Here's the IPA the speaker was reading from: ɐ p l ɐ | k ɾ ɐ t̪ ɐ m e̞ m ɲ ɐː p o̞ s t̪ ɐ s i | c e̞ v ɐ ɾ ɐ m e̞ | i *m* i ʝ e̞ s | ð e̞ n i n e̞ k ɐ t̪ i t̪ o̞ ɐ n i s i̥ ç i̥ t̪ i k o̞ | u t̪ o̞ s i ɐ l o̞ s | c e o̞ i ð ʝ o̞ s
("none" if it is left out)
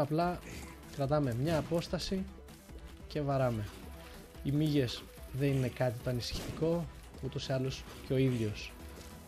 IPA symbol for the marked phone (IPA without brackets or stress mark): m